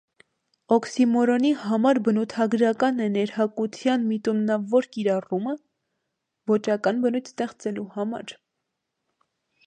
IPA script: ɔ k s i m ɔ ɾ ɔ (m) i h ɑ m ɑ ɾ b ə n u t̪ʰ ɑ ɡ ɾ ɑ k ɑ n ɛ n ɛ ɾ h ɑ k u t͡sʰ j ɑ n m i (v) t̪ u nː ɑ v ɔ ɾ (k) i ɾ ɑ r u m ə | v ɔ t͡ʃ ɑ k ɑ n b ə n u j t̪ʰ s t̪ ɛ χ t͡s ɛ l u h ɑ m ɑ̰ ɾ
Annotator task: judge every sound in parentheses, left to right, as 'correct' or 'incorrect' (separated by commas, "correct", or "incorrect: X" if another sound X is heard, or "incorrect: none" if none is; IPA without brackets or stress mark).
incorrect: n, incorrect: none, correct